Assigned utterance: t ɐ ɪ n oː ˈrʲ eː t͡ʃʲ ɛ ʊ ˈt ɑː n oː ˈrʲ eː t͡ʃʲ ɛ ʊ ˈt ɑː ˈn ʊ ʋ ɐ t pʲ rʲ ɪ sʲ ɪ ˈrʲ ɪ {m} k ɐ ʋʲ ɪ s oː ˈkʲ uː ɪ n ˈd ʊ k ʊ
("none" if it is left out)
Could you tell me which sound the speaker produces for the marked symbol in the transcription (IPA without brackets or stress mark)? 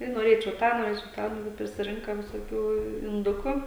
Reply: ŋ